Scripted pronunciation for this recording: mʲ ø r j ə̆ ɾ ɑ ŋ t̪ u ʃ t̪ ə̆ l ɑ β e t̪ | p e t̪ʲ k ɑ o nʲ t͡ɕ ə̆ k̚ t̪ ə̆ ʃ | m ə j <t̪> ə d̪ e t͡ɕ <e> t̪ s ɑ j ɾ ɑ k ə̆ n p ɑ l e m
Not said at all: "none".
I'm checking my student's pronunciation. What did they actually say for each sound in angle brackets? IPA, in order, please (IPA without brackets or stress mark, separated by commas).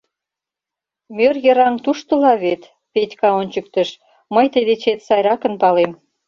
t̪, e